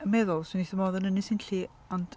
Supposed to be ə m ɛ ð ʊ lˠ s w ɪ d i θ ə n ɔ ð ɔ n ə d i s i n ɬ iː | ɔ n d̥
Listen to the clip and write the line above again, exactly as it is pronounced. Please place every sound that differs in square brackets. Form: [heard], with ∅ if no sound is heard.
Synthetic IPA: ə m ɛ ð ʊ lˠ s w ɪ [n] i θ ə [m] ɔ ð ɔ n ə [n] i s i n ɬ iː | ɔ n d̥